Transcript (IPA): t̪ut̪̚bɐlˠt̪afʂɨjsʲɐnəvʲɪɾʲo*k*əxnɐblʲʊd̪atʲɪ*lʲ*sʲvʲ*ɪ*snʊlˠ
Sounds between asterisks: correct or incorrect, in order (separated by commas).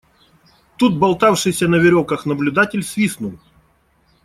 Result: correct, correct, incorrect